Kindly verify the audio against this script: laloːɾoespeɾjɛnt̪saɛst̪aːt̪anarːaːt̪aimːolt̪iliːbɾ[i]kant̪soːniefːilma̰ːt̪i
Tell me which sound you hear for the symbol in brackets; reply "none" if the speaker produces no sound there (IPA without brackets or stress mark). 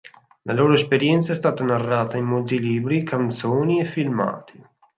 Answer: i